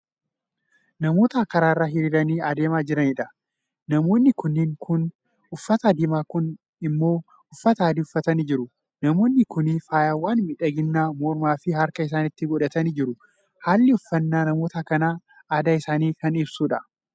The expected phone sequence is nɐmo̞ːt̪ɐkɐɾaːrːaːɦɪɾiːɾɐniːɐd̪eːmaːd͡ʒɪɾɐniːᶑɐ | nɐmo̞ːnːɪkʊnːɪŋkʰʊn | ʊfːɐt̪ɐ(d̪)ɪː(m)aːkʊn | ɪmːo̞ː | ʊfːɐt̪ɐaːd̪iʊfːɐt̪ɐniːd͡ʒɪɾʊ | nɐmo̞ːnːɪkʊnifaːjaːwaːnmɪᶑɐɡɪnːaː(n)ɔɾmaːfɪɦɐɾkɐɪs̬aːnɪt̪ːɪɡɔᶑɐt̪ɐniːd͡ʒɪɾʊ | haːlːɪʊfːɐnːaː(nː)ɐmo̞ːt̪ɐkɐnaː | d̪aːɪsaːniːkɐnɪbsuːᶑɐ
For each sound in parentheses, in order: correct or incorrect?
correct, correct, incorrect, incorrect

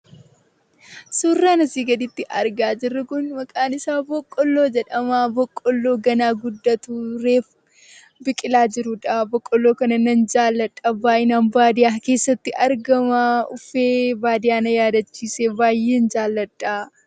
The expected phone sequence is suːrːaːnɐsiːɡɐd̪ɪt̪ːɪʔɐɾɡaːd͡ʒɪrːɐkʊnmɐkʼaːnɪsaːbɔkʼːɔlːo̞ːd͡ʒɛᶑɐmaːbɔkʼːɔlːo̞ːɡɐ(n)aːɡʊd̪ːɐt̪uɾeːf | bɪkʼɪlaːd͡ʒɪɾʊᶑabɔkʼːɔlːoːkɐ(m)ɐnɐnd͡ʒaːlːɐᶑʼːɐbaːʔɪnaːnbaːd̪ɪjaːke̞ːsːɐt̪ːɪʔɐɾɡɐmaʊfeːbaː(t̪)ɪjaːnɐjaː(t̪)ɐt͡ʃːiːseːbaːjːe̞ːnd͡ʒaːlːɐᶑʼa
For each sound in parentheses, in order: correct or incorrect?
correct, incorrect, incorrect, incorrect

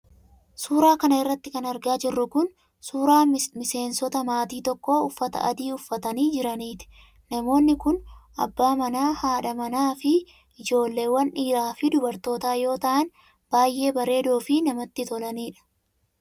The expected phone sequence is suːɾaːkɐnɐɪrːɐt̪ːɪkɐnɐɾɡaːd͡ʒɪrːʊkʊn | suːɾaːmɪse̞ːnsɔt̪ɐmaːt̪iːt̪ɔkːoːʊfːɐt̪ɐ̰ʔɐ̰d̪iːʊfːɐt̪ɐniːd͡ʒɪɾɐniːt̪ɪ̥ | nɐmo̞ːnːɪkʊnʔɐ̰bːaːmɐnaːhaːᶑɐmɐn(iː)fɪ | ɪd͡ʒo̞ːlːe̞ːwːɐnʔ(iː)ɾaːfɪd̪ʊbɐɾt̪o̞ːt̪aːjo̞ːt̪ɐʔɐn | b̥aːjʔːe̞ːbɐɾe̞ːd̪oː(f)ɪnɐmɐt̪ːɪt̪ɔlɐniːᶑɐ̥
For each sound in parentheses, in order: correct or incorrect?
incorrect, correct, correct

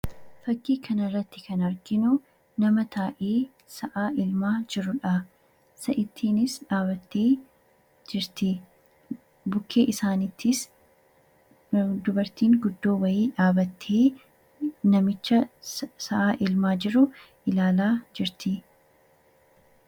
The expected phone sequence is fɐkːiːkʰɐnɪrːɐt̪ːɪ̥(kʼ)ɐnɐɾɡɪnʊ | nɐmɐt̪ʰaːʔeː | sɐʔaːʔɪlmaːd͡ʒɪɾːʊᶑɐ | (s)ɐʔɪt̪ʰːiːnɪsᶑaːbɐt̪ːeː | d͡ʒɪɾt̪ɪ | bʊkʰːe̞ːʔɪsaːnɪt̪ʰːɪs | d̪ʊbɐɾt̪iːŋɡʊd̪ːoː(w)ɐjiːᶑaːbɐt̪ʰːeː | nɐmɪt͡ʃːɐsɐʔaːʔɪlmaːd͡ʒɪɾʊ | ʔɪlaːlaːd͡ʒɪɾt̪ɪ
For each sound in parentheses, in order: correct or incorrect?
incorrect, correct, correct

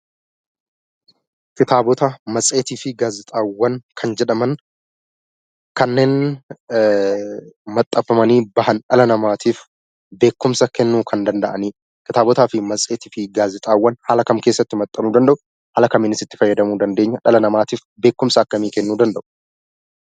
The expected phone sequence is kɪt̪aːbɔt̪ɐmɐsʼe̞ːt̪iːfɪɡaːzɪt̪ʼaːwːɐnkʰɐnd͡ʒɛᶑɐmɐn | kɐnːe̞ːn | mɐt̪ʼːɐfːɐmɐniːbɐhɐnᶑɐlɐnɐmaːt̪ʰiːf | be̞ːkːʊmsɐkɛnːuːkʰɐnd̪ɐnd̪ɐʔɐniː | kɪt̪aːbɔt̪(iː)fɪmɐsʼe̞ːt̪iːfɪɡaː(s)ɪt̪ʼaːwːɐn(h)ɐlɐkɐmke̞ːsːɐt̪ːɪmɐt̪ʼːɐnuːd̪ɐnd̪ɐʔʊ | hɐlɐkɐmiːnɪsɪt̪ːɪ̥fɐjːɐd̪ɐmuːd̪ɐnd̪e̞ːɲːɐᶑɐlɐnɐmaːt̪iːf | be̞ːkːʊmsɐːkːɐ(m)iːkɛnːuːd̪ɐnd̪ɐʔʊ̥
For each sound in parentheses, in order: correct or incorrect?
incorrect, incorrect, correct, correct

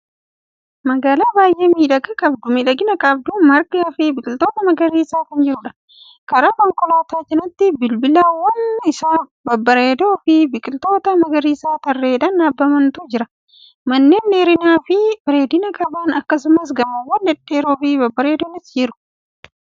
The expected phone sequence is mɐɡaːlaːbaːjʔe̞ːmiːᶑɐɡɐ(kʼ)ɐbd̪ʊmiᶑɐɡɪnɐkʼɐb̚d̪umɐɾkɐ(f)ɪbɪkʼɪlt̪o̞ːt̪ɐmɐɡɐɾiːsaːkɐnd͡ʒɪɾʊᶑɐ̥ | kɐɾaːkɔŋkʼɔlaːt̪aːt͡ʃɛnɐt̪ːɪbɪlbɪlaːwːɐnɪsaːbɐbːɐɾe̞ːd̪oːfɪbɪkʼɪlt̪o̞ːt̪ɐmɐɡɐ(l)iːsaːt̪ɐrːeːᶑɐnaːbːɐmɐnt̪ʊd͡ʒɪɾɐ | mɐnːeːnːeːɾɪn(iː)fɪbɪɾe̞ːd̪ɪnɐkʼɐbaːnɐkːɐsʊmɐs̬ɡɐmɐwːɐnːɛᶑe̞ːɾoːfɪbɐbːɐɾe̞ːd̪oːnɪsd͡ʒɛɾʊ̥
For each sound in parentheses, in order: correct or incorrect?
correct, correct, incorrect, incorrect

